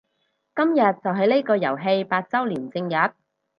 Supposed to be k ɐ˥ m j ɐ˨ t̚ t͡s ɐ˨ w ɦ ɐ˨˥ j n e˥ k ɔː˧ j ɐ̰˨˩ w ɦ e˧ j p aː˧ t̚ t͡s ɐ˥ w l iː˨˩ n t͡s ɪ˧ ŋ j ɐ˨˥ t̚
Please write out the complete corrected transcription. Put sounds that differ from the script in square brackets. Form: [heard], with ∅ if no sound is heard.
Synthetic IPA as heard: k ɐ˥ m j ɐ˨ t̚ t͡s ɐ˨ w ɦ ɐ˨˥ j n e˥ k ɔː˧ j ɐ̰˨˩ w ɦ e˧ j p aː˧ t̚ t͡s ɐ˥ w l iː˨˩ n t͡s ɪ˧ ŋ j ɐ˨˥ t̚